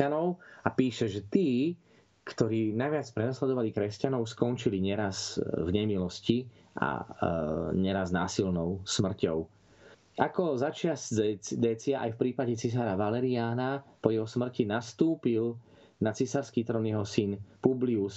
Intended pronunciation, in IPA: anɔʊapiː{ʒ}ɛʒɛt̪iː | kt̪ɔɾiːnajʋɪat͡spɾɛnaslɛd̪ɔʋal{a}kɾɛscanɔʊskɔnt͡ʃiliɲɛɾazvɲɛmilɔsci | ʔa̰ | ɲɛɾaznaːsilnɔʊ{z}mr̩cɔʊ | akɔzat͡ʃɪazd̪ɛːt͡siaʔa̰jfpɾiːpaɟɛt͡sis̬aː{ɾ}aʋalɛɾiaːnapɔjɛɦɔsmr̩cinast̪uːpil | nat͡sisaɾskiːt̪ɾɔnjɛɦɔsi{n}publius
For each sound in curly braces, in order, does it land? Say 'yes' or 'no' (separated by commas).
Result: no, no, no, yes, yes